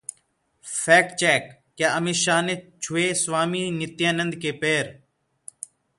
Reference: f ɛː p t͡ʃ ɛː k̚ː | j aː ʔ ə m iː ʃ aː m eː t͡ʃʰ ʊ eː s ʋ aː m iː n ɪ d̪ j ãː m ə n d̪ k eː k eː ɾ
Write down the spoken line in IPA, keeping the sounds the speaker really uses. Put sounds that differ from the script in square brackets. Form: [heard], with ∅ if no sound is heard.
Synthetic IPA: f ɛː [k] t͡ʃ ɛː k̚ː | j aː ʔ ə m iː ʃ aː [n] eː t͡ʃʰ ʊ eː s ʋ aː m iː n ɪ [t̪] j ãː [n] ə n d̪ k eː [p] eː ɾ

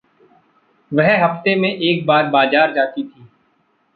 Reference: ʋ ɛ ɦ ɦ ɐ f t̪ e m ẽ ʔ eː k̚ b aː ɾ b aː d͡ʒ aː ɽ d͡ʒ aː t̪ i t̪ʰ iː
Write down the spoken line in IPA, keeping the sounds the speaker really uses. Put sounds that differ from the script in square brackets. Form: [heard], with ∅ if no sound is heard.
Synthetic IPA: ʋ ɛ ɦ ɦ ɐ f t̪ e m ẽ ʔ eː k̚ b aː ɾ b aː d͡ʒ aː [ɾ] d͡ʒ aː t̪ i t̪ʰ iː

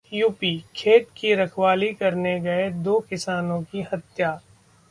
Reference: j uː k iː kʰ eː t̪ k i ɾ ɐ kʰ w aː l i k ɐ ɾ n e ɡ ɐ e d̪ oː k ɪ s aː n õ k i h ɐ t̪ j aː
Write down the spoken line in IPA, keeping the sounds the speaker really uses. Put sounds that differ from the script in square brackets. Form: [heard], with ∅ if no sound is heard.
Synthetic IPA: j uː [p] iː kʰ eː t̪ k i ɾ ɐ kʰ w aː l i k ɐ ɾ n e ɡ ɐ e d̪ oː k ɪ s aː n õ k i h ɐ t̪ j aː

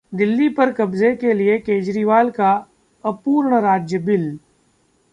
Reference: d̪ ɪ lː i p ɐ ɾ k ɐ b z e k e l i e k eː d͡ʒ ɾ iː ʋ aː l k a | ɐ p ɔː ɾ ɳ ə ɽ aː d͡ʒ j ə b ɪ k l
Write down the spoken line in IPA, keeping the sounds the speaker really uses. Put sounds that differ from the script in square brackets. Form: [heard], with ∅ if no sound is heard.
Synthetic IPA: d̪ ɪ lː i p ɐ ɾ k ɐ b z e k e l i e k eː d͡ʒ ɾ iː ʋ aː l k a | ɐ p [uː] ɾ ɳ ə [ɾ] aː d͡ʒ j ə b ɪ [∅] l

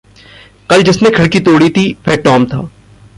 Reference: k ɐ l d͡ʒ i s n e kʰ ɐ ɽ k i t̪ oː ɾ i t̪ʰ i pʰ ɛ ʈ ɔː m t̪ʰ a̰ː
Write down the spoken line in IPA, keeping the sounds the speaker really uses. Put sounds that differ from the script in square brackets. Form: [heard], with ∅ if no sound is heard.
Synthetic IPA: k ɐ l d͡ʒ [ɪ] s n e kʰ ɐ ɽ k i t̪ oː [ɽ] i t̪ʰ i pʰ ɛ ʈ ɔː m t̪ʰ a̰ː

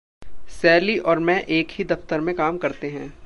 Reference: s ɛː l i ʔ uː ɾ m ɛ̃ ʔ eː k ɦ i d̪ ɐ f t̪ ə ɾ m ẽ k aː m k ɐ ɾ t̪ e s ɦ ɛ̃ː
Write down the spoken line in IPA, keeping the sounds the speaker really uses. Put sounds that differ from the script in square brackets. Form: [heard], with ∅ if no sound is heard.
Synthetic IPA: s ɛː l i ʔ [ɔː] ɾ m ɛ̃ ʔ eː k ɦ i d̪ ɐ f t̪ ə ɾ m ẽ k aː m k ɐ ɾ t̪ e [∅] ɦ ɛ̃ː

